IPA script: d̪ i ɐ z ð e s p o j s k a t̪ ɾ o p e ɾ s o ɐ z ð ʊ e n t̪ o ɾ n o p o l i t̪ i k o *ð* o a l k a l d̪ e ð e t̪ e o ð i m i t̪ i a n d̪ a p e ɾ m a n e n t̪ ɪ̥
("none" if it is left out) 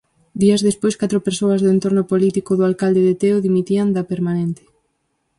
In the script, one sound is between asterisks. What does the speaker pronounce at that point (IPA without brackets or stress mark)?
ð